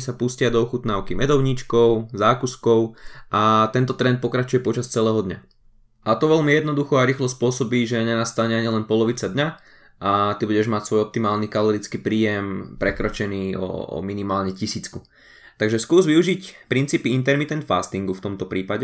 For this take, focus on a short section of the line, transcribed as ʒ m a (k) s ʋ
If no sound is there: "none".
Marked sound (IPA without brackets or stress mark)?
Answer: c